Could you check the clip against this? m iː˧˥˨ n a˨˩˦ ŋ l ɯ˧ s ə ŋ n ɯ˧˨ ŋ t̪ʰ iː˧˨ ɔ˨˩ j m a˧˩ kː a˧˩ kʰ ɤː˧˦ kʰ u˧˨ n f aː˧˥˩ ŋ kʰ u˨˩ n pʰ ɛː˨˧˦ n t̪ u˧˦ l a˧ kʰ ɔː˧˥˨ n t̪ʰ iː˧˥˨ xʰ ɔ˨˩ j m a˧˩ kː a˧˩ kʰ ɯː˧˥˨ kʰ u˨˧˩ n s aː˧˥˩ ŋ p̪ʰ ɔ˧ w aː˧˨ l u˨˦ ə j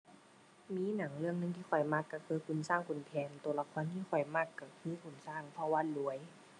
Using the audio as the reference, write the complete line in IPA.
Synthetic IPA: m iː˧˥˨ n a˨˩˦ ŋ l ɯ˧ ə ŋ n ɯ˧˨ ŋ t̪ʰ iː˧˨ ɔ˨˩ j m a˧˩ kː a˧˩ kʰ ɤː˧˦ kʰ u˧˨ n s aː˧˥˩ ŋ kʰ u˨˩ n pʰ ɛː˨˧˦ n t̪ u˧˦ l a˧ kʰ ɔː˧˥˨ n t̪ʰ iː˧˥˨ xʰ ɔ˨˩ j m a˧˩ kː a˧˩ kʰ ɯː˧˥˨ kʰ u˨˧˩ n s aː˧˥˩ ŋ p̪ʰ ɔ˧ w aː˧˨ l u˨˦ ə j